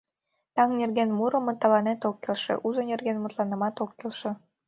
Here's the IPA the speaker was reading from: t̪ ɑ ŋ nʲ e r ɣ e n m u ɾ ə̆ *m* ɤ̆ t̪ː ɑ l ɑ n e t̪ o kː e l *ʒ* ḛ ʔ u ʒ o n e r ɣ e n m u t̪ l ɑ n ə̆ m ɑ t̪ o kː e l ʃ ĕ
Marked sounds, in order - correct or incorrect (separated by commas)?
correct, incorrect